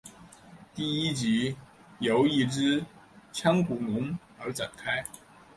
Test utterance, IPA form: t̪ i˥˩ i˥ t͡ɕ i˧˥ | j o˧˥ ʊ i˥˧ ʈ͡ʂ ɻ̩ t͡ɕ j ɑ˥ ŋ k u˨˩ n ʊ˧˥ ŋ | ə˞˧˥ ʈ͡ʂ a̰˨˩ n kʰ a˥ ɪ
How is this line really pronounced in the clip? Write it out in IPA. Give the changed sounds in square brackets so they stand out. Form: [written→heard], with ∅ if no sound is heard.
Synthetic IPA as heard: t̪ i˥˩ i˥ t͡ɕ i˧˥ | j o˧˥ ʊ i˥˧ ʈ͡ʂ ɻ̩ [t͡ɕ→t͡ɕʰ] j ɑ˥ ŋ k u˨˩ n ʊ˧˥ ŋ | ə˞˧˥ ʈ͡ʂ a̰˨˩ n kʰ a˥ ɪ